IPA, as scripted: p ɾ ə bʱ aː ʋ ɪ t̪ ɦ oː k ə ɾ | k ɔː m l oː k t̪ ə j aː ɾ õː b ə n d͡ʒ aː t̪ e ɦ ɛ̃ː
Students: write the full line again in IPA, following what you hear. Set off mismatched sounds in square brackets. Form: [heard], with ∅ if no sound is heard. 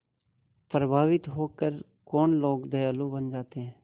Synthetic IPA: p ɾ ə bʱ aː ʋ ɪ t̪ ɦ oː k ə ɾ | k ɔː [n] l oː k [d̪] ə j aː [l] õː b ə n d͡ʒ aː t̪ e ɦ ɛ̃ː

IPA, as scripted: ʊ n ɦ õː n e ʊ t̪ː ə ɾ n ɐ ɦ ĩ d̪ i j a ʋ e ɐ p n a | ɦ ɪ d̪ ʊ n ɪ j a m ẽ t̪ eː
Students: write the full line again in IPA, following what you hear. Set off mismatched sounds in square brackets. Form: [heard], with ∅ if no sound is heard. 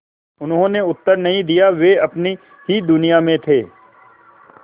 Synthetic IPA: ʊ n ɦ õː n e ʊ t̪ː ə ɾ n ɐ ɦ ĩ d̪ i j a ʋ e ɐ p n [i] | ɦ [i] d̪ ʊ n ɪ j a m ẽ [t̪ʰ] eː

